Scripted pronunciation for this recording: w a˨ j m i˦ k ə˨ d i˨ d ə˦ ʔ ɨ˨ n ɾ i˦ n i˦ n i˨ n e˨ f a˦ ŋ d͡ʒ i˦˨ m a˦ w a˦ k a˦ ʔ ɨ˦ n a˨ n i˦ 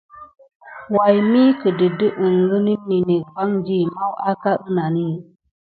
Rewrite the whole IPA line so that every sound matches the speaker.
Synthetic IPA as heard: w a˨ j m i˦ k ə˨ d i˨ d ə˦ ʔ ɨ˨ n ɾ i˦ n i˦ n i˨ n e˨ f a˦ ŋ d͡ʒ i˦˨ m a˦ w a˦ k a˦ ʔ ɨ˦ n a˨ n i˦